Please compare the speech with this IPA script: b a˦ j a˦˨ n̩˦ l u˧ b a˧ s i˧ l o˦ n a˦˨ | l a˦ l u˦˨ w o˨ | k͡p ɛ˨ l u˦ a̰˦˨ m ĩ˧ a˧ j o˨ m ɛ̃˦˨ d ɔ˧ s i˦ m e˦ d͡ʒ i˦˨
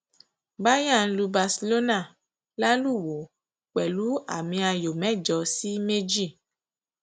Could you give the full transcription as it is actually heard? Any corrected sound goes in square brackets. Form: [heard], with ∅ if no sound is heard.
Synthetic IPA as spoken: b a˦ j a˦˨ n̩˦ l u˧ b a˧ s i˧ l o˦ n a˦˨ | l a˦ l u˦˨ w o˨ | k͡p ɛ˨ l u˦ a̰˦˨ m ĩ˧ a˧ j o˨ m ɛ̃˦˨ [d͡ʒ] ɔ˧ s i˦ m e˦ d͡ʒ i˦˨